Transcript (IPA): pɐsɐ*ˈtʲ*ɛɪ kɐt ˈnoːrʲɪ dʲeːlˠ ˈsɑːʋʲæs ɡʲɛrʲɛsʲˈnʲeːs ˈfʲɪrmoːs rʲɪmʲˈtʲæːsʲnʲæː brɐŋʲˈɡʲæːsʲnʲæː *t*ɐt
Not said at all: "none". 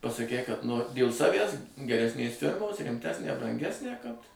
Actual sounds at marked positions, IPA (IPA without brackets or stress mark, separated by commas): kʲ, k